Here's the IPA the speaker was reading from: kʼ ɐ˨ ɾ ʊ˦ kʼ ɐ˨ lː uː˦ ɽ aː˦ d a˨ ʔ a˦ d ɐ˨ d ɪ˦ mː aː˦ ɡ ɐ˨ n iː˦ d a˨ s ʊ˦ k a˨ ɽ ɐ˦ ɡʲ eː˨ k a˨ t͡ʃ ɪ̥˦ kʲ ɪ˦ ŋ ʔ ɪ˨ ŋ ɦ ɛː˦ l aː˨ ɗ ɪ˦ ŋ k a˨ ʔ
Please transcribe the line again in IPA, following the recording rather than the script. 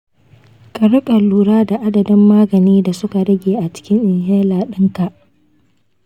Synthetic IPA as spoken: kʼ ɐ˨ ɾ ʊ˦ kʼ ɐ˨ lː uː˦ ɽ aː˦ d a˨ ʔ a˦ d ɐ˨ d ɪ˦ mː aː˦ ɡ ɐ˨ n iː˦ d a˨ s ʊ˦ k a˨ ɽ ɐ˦ ɡʲ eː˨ ʔ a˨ t͡ʃ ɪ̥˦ kʲ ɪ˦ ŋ ʔ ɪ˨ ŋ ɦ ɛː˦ l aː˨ ɗ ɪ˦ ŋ k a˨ ʔ